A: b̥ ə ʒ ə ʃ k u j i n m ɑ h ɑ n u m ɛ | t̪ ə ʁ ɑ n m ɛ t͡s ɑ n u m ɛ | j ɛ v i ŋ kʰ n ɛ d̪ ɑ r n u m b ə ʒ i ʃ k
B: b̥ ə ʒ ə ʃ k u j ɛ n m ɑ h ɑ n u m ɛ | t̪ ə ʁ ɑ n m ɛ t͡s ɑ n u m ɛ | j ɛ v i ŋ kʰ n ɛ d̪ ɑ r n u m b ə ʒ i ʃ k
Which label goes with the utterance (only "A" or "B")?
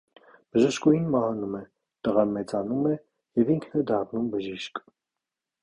A